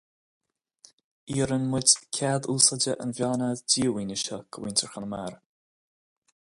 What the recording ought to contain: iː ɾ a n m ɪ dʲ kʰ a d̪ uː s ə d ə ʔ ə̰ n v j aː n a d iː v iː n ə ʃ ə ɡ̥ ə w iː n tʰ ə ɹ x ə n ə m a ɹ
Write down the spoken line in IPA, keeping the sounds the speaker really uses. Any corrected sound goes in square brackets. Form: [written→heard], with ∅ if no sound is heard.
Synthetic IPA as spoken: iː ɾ [a→ə] n m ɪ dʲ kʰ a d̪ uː s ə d ə ʔ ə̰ n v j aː n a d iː [v→w] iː n ə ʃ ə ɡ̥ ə w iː n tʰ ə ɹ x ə n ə m a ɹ

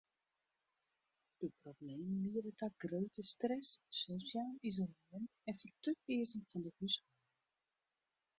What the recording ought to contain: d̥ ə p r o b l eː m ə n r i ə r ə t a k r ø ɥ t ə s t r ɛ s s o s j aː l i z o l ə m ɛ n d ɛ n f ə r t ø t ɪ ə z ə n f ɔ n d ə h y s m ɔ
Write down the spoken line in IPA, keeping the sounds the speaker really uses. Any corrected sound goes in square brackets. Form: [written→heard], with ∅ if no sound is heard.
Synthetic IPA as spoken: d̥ ə p r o b l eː m ə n [r→l] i ə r ə t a [k→ɡ] r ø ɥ t ə s t r ɛ s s o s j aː l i z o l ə m ɛ n [d→t] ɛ n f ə r t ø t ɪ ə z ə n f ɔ n d ə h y s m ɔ

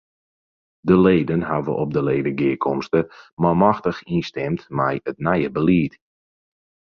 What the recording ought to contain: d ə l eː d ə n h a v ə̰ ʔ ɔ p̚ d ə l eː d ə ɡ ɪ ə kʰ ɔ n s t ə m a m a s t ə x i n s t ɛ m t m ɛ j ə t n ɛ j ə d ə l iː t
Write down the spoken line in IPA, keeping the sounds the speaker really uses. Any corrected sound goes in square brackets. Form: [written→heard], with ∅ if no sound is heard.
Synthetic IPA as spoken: d ə l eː d ə n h a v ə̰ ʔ ɔ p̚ d ə l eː d ə ɡ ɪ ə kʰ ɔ [n→m] s t ə m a m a [s→x] t ə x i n s t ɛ m t m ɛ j ə t n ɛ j ə [d→b] ə l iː t

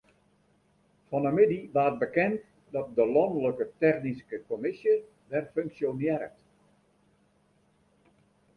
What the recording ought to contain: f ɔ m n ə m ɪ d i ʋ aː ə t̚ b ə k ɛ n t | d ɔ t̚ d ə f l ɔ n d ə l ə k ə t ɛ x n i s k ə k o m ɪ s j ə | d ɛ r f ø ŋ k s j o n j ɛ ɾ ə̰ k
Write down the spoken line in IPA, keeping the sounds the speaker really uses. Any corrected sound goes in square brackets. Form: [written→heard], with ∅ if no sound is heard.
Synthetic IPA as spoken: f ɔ [m→∅] n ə m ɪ d i ʋ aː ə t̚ b ə k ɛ n t | d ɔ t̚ d ə [f→∅] l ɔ n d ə l ə k ə t ɛ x n i s k ə k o m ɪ s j ə | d ɛ r f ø ŋ k s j o n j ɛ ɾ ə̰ [k→t]

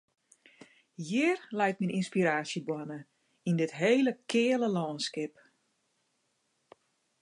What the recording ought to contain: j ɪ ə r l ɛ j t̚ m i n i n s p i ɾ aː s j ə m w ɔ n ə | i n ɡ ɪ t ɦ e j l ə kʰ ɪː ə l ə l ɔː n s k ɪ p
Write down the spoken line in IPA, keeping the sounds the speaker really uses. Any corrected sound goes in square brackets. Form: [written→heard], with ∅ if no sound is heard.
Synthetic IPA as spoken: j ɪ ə r l ɛ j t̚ m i n i n s p i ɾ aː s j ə [m→b] w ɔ n ə | i n [ɡ→d] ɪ t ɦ e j l ə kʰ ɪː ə l ə l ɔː n s k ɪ p

